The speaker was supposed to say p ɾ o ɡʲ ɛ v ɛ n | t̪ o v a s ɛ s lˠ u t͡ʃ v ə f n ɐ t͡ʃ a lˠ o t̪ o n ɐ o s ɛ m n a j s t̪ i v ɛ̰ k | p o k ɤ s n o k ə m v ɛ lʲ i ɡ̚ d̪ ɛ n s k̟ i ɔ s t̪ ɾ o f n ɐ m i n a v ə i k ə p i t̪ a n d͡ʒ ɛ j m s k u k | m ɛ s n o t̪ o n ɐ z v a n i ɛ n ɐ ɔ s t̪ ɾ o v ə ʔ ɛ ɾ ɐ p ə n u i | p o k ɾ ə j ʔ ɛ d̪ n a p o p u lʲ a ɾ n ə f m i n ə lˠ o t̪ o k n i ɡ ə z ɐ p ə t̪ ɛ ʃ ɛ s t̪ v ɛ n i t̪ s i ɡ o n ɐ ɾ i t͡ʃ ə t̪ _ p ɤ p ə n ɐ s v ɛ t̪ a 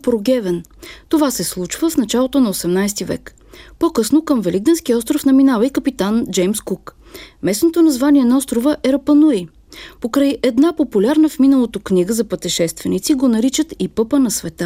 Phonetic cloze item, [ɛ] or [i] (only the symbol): i